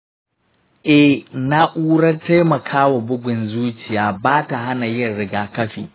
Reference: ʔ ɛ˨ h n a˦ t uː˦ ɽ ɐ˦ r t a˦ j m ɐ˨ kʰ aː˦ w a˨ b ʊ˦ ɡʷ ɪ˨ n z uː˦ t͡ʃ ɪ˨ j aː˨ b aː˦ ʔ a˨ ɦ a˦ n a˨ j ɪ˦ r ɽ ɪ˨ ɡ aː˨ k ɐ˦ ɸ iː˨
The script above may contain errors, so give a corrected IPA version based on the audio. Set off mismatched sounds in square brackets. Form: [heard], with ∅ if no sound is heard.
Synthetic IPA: ʔ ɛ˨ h n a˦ [ʔ] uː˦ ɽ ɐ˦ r t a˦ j m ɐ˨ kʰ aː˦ w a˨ b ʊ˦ ɡʷ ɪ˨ n z uː˦ t͡ʃ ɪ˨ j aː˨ b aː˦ [t] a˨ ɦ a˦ n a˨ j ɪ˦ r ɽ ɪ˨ ɡ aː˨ k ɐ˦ ɸ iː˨